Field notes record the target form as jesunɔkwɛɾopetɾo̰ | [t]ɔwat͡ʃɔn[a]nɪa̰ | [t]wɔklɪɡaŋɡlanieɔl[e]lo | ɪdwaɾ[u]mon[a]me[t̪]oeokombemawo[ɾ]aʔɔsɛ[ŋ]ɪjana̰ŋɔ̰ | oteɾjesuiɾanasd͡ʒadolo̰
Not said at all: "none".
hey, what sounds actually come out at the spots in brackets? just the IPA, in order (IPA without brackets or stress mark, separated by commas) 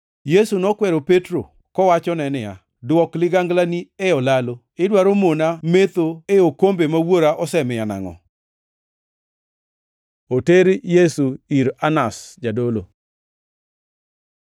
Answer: k, ɛ, d, a, o, a, t̪, ɾ, m